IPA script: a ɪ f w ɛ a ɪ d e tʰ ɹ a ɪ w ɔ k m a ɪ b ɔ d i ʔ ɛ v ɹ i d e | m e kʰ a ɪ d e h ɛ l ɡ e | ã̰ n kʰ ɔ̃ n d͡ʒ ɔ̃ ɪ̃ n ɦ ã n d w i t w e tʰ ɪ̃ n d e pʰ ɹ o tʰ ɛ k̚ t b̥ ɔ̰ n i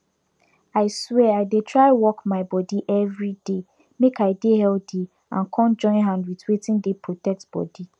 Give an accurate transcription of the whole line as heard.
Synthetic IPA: a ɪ s w ɛ a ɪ d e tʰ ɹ a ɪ w ɔ k m a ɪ b ɔ d i ʔ ɛ v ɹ i d e | m e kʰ a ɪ d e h ɛ l d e | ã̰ n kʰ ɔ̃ n d͡ʒ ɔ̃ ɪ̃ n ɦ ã n d w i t w e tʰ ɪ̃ n d e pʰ ɹ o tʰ ɛ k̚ t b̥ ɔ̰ d i